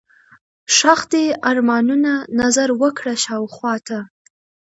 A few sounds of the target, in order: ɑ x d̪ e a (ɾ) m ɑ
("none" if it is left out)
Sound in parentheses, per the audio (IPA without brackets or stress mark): ɾ